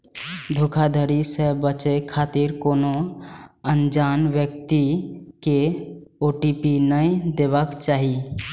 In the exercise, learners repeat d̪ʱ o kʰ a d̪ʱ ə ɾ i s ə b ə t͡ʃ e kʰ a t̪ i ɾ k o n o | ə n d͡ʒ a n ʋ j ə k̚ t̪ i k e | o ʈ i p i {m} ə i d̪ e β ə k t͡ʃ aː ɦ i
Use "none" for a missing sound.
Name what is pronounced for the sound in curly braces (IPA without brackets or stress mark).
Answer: n